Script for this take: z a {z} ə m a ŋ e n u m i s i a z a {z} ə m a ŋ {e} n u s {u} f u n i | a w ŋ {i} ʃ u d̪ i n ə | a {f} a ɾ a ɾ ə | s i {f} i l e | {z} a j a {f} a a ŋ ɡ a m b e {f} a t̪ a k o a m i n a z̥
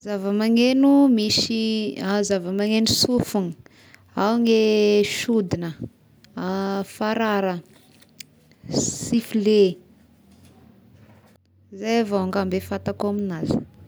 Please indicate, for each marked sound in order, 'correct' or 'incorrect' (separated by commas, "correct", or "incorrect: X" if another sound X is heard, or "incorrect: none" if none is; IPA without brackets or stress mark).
incorrect: v, incorrect: v, correct, correct, incorrect: e, correct, correct, correct, incorrect: v, correct